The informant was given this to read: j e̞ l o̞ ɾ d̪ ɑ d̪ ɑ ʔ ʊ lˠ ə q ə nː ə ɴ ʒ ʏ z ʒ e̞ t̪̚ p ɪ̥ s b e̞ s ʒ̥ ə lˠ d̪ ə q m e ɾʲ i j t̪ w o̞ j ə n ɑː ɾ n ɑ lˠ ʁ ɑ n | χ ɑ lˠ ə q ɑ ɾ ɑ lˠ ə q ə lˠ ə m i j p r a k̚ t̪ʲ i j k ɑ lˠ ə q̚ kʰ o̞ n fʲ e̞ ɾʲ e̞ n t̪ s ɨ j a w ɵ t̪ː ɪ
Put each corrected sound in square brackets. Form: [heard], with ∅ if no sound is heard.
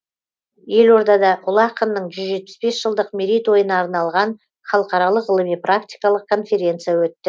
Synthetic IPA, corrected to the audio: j e̞ l o̞ ɾ d̪ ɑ d̪ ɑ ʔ ʊ lˠ [ɑ] q ə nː ə ɴ ʒ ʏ z ʒ e̞ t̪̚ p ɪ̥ s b e̞ s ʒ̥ ə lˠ d̪ ə q m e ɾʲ i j t̪ w o̞ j ə n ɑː ɾ n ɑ lˠ ʁ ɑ n | χ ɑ lˠ ə q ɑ ɾ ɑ lˠ ə q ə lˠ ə m i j p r a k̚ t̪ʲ i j k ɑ lˠ ə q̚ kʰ o̞ n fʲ e̞ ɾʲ e̞ n t̪ s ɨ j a w ɵ t̪ː ɪ